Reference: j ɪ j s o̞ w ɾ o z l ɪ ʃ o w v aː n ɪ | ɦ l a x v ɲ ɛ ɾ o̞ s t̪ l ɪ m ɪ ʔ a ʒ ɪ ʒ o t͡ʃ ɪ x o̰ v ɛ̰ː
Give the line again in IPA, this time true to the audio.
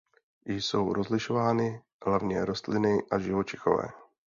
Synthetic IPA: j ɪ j s o̞ w ɾ o z l ɪ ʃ o v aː n ɪ | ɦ l a v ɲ ɛ ɾ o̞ s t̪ l ɪ n ɪ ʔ a ʒ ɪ v o t͡ʃ ɪ x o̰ v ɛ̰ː